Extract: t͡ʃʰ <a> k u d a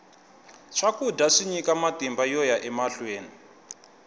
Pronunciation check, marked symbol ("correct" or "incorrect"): correct